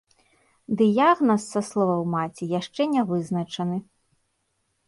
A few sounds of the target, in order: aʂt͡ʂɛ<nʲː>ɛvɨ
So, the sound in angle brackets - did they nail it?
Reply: no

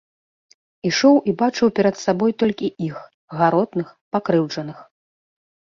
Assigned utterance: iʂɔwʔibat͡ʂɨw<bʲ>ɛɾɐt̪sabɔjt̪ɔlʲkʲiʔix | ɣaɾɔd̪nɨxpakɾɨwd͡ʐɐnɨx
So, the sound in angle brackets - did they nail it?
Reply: no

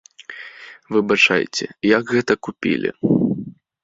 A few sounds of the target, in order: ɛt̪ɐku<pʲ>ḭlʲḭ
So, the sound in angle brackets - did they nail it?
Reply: yes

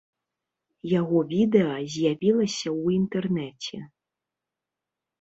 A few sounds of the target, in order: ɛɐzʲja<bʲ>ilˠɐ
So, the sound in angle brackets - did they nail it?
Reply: no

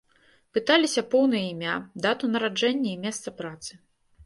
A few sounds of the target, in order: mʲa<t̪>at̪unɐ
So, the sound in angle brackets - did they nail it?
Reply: no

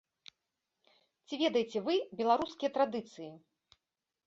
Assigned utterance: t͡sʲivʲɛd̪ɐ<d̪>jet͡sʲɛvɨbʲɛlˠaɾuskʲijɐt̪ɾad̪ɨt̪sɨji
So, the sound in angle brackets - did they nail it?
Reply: no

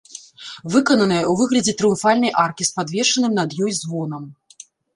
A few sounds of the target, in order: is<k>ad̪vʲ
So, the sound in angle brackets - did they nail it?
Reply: no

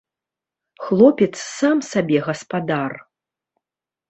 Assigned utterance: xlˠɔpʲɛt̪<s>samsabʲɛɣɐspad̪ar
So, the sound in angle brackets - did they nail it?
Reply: yes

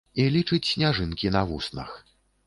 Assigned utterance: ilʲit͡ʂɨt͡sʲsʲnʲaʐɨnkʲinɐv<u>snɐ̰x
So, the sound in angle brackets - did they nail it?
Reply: yes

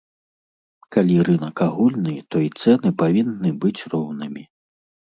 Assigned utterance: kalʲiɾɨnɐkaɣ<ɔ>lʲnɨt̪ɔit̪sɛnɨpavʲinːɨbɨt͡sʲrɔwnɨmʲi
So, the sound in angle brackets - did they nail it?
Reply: no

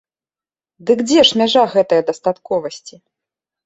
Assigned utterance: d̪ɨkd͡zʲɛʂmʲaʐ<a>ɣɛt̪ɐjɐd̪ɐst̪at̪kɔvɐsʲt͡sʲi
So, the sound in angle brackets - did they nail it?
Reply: yes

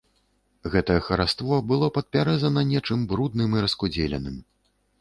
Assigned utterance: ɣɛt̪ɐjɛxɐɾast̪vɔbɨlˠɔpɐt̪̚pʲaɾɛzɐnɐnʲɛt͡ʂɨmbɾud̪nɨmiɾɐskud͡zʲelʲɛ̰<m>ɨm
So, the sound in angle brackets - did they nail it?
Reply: no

